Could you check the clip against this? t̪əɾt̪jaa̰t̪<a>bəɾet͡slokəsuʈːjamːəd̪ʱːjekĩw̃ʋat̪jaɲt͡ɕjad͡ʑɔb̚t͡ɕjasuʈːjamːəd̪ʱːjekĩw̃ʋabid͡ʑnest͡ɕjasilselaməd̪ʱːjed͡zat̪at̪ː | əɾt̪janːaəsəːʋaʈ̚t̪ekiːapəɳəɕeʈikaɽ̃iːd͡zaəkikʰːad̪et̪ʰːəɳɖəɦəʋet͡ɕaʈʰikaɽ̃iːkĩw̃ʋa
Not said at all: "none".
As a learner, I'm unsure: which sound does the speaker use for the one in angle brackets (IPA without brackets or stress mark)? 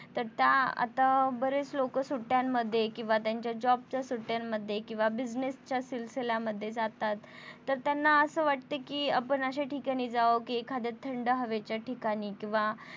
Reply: a